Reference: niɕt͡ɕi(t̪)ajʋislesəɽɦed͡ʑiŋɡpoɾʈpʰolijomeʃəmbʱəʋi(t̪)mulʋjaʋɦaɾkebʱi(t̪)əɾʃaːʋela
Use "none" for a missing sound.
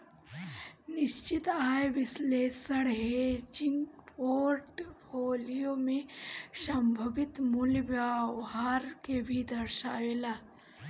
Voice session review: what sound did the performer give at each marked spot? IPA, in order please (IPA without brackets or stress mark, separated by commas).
t̪, t̪, d̪